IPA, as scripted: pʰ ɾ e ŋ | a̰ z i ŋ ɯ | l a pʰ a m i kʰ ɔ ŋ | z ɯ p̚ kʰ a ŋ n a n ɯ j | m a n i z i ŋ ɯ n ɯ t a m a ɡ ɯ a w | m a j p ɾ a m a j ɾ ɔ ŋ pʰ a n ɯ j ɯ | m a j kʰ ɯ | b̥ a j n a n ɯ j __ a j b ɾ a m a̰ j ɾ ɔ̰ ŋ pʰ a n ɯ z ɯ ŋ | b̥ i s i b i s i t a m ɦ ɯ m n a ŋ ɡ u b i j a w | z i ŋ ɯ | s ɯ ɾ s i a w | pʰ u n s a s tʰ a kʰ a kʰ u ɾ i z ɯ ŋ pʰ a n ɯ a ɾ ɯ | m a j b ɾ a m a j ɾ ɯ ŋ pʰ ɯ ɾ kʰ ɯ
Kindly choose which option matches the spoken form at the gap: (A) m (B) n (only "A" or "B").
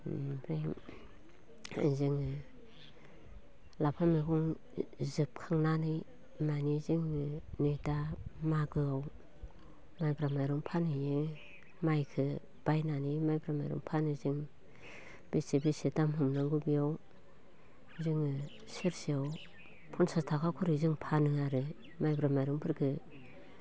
A